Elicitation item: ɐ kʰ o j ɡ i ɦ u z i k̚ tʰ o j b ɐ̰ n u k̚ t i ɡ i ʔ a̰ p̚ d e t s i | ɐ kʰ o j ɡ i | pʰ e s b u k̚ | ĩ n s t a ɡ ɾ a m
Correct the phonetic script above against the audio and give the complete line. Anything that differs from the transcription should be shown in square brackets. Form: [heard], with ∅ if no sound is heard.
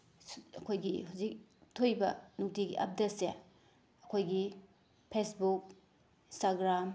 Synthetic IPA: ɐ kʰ o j ɡ i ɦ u z i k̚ tʰ o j b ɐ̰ n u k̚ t i ɡ i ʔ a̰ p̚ d e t s [e] | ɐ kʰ o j ɡ i | pʰ e s b u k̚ | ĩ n s t a ɡ ɾ a m